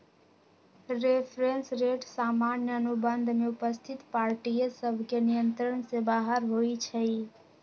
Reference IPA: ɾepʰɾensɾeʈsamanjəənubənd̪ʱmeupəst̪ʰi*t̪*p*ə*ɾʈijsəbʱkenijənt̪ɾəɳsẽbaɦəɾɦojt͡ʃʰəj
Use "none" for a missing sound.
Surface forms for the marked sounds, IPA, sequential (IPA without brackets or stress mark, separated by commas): t̪, a